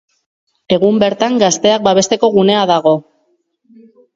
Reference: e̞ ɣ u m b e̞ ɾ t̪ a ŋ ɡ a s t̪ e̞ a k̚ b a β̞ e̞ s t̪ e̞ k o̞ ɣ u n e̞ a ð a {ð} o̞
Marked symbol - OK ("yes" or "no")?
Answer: no